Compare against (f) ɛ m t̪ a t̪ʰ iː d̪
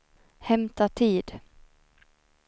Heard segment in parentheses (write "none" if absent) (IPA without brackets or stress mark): h